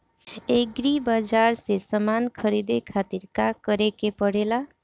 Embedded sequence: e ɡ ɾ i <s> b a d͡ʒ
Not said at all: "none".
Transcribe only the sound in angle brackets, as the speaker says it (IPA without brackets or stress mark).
none